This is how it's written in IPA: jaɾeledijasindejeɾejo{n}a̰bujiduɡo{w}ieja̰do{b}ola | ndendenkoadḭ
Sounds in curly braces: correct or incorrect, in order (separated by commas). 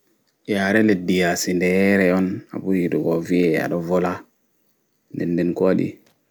correct, incorrect, incorrect